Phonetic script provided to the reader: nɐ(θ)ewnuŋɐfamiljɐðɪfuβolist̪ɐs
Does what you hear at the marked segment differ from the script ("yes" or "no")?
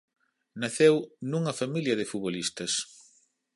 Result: no